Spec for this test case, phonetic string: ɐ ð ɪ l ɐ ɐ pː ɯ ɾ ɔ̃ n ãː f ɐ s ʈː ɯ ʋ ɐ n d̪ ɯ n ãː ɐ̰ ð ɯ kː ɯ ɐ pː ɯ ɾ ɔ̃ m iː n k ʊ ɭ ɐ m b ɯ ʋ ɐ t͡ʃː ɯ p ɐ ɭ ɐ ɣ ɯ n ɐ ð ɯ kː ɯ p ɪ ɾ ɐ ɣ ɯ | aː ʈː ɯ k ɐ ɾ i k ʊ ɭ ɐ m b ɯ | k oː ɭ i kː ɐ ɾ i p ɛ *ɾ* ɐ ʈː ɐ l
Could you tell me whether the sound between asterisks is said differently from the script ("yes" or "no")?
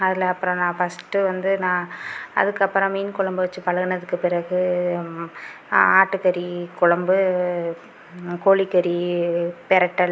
no